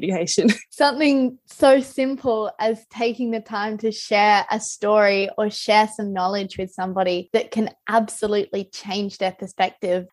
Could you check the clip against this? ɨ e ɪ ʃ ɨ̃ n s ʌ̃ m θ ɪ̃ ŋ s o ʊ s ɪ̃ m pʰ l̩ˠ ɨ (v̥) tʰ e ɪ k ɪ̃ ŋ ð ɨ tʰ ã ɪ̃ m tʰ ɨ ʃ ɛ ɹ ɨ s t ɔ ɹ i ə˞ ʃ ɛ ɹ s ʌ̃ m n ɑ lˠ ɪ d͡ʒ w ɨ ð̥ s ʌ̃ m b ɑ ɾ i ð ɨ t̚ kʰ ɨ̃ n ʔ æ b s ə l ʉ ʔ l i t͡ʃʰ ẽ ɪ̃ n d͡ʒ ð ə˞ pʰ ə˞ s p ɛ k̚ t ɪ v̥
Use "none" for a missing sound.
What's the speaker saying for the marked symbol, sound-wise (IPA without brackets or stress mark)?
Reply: z̥